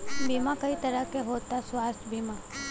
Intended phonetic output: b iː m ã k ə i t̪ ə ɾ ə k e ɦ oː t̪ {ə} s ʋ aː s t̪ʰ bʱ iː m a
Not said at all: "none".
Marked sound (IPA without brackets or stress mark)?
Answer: a